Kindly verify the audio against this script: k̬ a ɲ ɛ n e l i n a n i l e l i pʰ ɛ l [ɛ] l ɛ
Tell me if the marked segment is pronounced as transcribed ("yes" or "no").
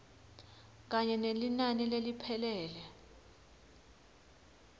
no